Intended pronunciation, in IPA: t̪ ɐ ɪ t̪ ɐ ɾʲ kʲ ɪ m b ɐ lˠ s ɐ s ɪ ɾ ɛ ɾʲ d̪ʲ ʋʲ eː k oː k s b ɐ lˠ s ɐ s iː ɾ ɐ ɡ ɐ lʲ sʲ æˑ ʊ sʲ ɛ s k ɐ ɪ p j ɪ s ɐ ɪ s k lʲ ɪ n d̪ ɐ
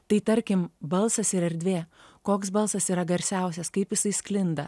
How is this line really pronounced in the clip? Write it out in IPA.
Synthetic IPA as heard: t̪ ɐ ɪ t̪ ɐ ɾʲ kʲ ɪ m b ɐ lˠ s ɐ s ɪ ɾ ɛ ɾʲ d̪ʲ ʋʲ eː k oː k s b ɐ lˠ s ɐ s iː ɾ ɐ ɡ ɐ ɾʲ sʲ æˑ ʊ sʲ ɛ s k ɐ ɪ p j ɪ s ɐ ɪ s k lʲ ɪ n d̪ ɐ